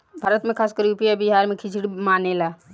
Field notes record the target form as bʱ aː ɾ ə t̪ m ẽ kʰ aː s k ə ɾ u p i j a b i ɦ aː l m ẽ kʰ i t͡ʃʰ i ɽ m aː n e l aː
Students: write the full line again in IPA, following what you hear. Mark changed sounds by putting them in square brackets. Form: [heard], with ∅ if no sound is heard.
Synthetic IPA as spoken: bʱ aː ɾ ə t̪ m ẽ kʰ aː s k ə ɾ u p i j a b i ɦ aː [ɾ] m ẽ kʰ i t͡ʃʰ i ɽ m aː n e l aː